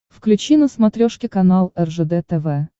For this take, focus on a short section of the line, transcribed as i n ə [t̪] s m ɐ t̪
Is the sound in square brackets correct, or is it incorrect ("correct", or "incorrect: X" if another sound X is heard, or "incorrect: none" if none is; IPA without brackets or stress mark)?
incorrect: none